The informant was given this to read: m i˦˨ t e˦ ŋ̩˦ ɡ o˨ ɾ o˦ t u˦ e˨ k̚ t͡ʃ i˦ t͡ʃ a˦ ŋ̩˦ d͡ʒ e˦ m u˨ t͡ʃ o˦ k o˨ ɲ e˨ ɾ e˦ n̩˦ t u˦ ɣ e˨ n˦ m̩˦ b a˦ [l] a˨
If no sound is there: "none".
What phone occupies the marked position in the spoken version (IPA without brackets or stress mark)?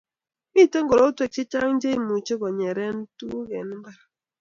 ɾ